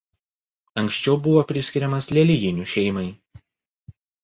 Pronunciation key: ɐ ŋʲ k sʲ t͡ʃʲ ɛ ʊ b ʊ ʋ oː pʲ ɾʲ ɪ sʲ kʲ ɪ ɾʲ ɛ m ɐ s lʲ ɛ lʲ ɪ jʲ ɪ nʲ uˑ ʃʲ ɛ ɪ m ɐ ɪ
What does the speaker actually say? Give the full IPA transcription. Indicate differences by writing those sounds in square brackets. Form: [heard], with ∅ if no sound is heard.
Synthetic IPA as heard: ɐ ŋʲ k sʲ t͡ʃʲ ɛ ʊ b ʊ ʋ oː pʲ ɾʲ ɪ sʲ kʲ ɪ ɾʲ ɛ m ɐ s lʲ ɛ lʲ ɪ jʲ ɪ nʲ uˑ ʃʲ ɛ ɪ m ɐ ɪ